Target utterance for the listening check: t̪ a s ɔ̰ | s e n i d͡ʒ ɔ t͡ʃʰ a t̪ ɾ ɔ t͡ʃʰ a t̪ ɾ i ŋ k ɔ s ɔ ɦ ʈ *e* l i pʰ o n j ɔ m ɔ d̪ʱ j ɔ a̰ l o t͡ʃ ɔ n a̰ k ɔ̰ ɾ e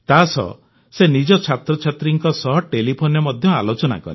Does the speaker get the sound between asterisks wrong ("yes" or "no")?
no